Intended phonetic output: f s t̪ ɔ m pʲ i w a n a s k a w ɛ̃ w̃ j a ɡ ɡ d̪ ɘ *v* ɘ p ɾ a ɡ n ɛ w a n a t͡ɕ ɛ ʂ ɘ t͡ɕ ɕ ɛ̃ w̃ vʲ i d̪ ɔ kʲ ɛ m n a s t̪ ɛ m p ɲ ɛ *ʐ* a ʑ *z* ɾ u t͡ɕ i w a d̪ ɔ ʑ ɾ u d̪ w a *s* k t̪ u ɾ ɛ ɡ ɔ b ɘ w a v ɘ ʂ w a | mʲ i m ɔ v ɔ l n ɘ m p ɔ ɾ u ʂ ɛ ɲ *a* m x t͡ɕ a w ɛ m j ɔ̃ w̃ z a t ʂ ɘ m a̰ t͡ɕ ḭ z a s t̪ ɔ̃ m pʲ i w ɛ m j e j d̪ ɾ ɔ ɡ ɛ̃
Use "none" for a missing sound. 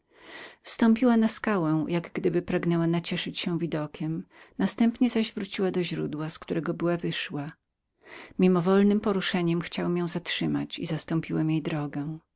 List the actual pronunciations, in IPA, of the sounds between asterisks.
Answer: b, z, v, s, ɛ

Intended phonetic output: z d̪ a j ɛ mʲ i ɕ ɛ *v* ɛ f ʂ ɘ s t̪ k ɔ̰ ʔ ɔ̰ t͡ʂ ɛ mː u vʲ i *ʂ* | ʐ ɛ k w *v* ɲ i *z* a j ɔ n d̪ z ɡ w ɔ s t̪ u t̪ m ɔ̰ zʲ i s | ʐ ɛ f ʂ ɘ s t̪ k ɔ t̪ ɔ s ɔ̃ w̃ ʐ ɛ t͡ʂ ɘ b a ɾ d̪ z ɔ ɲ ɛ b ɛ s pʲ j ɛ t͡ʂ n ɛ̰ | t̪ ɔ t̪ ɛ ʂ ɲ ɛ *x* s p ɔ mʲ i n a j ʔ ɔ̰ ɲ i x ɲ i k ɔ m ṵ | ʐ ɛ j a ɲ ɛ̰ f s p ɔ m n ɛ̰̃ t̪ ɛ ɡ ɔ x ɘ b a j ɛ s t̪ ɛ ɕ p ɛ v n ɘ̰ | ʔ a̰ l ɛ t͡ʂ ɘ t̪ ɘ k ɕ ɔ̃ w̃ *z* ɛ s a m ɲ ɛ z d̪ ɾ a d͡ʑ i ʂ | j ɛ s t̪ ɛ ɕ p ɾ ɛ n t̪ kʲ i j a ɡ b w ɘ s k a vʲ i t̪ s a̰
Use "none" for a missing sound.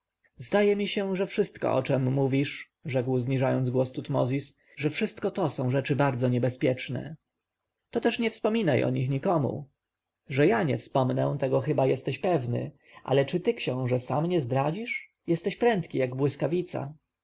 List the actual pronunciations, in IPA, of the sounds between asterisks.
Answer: ʐ, ʂ, z, ʐ, f, ʐ

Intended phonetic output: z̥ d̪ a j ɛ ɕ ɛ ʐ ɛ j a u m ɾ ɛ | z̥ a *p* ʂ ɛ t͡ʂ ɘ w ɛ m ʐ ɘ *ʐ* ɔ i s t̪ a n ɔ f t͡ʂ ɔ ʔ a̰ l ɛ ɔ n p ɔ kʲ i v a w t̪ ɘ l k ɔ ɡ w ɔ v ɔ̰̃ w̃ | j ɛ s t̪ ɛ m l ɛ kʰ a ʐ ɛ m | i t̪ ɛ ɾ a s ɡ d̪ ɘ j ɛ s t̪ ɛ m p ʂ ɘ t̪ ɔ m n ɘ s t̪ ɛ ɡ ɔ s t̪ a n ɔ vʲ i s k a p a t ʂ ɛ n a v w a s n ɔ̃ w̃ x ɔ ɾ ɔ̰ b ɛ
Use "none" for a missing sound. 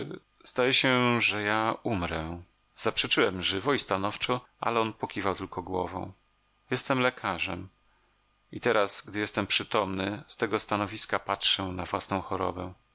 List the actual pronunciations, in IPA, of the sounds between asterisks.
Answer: p, v

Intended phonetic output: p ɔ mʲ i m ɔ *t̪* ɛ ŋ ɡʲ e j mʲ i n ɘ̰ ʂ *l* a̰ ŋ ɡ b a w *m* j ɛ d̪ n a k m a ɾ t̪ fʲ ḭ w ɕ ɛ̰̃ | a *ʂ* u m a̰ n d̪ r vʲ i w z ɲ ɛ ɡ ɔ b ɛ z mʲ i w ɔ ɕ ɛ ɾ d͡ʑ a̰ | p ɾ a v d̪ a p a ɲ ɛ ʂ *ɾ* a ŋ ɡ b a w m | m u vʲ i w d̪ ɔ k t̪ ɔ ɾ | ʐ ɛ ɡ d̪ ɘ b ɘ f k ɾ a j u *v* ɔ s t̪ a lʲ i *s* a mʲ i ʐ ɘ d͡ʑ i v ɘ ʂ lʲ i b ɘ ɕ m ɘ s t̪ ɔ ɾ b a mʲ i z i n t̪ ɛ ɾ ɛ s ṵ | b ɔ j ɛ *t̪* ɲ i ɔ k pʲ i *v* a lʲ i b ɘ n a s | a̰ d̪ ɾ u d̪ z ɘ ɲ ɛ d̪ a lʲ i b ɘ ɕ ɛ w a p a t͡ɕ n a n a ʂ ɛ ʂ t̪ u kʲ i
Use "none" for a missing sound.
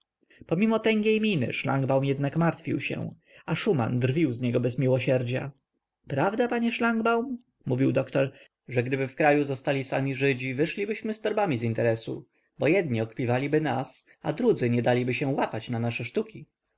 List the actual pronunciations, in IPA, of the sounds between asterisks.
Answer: t̪, l, m, ʂ, l, z, s, d̪, v

